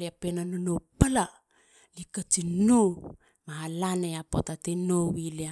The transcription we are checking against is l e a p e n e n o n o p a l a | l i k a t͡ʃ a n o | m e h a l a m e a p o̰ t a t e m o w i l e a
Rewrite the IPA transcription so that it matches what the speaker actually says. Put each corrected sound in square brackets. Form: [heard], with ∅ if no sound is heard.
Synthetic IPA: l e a p e n [a] n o n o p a l a | l i k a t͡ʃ [i] n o | m [a] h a l a [n] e a p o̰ t a t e [n] o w i l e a